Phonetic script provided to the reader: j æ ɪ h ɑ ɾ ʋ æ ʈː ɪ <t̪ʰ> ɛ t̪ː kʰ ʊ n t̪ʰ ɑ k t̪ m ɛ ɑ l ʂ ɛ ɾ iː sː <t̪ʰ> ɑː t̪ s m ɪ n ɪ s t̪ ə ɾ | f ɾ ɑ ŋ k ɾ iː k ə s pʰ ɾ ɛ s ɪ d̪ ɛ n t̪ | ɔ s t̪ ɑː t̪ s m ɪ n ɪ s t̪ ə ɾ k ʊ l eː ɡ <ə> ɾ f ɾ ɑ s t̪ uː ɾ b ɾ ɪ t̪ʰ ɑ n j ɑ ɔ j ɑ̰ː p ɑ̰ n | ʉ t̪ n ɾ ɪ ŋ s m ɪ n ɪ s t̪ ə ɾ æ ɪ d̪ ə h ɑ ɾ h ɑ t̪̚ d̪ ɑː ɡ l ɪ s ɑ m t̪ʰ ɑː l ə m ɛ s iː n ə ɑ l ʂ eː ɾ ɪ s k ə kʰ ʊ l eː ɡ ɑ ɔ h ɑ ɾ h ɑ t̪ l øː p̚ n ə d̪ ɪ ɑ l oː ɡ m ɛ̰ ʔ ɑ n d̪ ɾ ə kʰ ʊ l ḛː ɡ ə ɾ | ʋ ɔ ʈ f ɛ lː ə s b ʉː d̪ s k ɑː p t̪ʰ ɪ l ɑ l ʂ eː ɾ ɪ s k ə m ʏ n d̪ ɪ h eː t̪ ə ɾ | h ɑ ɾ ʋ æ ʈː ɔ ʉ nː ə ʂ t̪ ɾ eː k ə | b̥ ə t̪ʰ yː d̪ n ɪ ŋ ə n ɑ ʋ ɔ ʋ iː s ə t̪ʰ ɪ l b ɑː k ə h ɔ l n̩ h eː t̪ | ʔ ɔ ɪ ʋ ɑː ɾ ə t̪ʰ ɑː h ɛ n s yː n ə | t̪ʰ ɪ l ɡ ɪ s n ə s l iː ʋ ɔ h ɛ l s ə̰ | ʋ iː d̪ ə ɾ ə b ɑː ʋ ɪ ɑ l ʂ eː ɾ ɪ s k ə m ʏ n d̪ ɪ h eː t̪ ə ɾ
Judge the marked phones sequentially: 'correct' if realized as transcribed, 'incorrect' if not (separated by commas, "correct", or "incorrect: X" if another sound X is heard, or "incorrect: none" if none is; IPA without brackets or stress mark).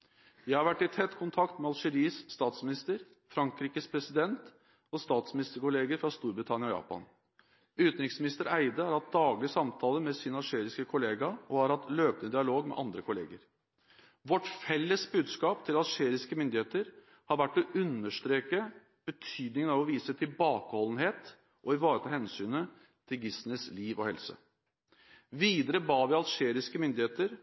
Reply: correct, incorrect: t̪, correct